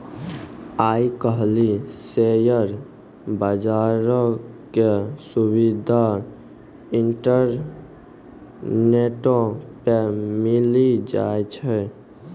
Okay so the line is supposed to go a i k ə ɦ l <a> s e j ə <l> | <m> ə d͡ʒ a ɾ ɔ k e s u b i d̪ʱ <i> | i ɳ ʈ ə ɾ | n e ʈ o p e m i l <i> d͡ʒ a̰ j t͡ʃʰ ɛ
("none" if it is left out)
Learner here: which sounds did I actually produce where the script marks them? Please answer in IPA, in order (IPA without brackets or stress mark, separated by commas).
i, ɾ, b, a, i